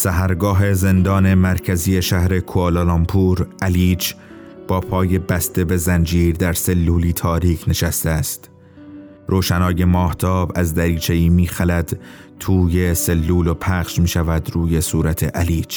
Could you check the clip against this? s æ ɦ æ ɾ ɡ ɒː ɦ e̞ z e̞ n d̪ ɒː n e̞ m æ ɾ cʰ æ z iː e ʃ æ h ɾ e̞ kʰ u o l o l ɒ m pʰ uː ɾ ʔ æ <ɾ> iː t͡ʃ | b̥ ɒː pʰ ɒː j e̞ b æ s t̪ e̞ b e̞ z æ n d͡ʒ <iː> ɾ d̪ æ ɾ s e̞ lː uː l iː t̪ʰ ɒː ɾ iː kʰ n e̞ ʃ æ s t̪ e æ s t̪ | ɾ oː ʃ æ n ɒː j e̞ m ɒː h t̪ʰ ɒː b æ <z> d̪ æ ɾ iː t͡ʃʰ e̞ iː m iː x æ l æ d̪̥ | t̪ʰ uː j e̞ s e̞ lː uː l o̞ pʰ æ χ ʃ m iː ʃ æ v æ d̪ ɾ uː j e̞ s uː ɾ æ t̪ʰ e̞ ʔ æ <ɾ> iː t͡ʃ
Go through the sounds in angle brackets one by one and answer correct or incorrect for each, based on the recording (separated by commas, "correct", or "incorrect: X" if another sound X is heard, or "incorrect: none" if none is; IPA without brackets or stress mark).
incorrect: l, correct, correct, incorrect: l